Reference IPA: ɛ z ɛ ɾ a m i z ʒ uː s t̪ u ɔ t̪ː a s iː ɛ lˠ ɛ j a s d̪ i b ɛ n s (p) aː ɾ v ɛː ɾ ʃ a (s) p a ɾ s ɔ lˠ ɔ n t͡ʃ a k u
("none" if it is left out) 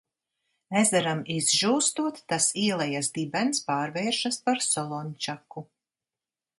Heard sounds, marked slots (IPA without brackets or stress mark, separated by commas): p, s